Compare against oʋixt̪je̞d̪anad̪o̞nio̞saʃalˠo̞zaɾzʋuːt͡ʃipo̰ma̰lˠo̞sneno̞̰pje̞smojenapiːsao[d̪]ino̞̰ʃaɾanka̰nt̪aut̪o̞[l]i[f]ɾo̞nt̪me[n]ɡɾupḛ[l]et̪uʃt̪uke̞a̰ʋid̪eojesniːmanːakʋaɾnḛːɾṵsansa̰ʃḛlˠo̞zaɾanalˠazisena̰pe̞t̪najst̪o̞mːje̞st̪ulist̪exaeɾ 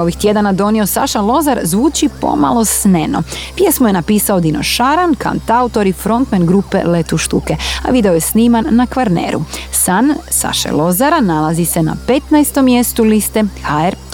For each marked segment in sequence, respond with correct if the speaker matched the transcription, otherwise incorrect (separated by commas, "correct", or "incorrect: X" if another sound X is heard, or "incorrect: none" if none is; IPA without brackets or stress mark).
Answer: correct, incorrect: ɾ, correct, correct, correct